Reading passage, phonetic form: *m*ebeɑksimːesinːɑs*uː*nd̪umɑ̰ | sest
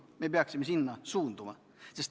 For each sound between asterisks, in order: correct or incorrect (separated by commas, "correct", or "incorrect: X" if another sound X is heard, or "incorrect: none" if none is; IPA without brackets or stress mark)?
correct, correct